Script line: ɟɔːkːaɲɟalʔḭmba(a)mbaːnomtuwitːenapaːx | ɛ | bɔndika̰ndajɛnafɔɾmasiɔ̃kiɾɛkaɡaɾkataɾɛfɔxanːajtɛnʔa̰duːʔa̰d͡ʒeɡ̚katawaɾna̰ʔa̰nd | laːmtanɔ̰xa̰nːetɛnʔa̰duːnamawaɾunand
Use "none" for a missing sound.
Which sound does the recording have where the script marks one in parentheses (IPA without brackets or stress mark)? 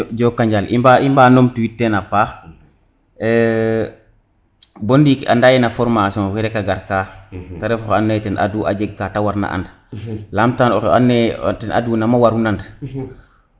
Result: i